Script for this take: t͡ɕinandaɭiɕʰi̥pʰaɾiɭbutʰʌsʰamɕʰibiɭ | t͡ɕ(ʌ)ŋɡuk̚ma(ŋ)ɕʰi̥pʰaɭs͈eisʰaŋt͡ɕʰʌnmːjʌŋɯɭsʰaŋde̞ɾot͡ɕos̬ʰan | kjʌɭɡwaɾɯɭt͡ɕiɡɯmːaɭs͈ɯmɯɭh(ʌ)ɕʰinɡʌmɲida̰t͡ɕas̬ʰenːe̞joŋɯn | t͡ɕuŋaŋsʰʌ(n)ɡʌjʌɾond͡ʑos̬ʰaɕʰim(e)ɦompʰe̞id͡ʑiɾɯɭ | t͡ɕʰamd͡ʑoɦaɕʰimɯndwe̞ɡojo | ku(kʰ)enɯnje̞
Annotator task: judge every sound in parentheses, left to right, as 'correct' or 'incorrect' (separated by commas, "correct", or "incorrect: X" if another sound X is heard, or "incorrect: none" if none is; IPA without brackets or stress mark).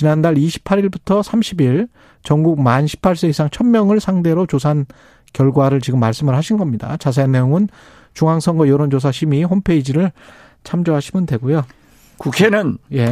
correct, incorrect: n, incorrect: a, incorrect: ŋ, incorrect: i, correct